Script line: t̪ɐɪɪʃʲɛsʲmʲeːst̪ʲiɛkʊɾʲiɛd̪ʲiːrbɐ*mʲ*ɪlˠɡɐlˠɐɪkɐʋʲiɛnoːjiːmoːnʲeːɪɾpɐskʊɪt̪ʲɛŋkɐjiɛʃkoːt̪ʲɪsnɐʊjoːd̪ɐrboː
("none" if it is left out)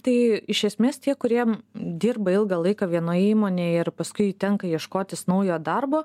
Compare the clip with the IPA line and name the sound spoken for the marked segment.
none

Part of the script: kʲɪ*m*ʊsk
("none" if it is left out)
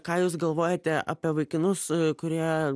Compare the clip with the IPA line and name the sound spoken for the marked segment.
n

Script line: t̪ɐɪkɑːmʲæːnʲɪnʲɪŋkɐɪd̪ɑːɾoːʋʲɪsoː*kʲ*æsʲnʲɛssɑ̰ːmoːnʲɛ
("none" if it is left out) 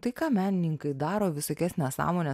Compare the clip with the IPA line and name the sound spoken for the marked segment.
kʲ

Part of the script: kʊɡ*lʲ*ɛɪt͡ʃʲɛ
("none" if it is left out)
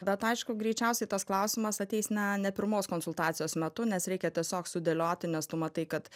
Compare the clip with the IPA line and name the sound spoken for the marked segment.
ɾʲ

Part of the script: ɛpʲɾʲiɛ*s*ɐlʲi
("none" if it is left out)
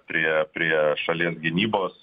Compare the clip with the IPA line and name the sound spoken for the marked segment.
ʃ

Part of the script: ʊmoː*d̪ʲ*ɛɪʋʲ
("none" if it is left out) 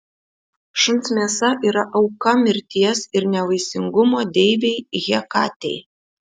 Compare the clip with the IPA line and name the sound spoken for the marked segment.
d̪ʲ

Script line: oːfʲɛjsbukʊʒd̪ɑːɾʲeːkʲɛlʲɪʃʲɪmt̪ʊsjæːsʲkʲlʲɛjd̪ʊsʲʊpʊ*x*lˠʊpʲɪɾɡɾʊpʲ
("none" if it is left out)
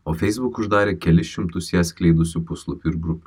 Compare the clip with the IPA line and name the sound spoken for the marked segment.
s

